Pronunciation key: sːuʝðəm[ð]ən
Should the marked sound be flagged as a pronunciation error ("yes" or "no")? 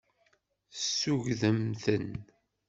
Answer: yes